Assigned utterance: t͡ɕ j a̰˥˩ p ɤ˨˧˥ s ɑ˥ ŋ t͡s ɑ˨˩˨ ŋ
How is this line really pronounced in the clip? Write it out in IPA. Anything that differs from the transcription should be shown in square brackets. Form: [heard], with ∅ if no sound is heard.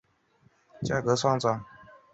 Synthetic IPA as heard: t͡ɕ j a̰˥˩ [k] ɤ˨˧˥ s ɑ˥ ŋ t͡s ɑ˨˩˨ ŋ